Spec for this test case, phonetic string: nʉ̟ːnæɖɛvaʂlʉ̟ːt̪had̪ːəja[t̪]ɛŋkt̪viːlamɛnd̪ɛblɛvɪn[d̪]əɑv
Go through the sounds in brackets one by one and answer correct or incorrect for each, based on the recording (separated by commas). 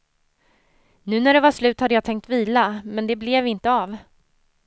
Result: incorrect, incorrect